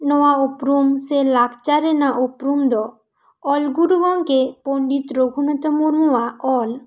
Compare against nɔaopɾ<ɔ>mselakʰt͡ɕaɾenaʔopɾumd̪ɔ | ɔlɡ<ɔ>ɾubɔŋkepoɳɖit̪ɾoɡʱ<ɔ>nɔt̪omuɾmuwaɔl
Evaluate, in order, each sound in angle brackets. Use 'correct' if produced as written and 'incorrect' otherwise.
incorrect: u, incorrect: u, incorrect: u

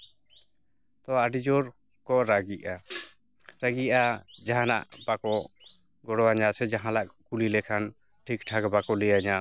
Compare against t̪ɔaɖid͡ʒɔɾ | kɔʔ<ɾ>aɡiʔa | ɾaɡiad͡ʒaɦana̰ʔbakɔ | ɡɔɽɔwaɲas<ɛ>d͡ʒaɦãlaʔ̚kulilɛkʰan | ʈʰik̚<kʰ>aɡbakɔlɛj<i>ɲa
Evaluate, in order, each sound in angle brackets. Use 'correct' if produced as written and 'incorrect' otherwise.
correct, correct, incorrect: ʈʰ, incorrect: a

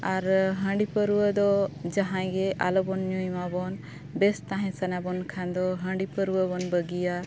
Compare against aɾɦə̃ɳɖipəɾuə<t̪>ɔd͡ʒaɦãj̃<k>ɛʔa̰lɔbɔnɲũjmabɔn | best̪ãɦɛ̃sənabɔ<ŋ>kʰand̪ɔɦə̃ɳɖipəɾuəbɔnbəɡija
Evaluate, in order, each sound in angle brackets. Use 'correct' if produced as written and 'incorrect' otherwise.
incorrect: d̪, incorrect: ɡ, incorrect: n

